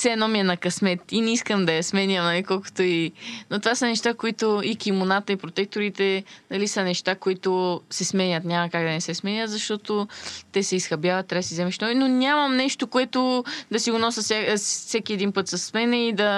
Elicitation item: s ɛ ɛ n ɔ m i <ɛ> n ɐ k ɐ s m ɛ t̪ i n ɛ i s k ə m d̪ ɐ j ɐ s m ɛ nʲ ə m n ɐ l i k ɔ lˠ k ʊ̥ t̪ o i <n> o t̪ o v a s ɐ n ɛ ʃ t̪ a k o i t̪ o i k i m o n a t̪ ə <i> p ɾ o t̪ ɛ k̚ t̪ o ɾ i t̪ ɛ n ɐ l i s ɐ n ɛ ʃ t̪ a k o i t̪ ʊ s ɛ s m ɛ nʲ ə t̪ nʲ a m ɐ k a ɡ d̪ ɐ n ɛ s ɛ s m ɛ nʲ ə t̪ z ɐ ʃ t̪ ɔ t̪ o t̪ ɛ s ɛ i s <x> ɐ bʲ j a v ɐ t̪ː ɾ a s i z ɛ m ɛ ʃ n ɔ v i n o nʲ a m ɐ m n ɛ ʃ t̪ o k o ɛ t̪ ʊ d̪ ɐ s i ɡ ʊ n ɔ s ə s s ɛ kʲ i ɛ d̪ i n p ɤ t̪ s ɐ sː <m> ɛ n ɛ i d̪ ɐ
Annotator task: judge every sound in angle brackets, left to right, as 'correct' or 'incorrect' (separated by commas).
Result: correct, correct, correct, correct, correct